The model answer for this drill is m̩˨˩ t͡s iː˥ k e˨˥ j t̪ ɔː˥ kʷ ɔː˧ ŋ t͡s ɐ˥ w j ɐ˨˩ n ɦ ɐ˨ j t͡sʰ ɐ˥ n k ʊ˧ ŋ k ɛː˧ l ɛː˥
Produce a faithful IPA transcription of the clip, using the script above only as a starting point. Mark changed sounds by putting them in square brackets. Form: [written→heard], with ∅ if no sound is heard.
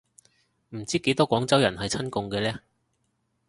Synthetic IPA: m̩˨˩ t͡s iː˥ k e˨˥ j t̪ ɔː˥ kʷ [ɔː˧→ɔː˨˥] ŋ t͡s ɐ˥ w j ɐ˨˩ n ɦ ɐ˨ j t͡sʰ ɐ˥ n k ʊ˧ ŋ k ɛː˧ l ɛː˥